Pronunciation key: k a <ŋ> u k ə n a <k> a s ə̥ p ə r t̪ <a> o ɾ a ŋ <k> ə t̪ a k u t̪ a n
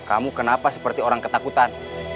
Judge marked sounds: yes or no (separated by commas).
no, no, no, yes